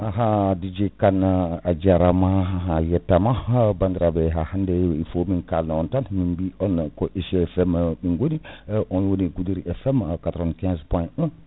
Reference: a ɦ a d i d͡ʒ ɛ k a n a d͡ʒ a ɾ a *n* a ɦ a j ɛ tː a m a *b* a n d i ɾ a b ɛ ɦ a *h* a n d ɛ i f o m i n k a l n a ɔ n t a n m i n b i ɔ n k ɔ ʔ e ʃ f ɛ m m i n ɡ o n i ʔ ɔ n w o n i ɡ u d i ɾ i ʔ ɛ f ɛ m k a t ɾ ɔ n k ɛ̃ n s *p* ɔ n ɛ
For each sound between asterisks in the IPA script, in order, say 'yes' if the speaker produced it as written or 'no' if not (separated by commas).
no, yes, yes, yes